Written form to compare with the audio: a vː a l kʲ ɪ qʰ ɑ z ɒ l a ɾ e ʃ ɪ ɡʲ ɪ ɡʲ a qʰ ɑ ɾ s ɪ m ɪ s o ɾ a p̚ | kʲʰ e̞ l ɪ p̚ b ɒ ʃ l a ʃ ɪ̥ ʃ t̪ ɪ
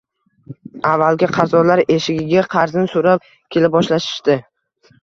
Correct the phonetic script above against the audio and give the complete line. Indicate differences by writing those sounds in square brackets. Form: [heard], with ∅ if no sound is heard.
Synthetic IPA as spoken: a vː a l [ɡʲ] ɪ qʰ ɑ z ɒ l a ɾ e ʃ ɪ ɡʲ ɪ ɡʲ a qʰ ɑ ɾ [z] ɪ [n] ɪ s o ɾ a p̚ | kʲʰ e̞ l ɪ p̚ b ɒ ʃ l a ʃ ɪ̥ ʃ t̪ ɪ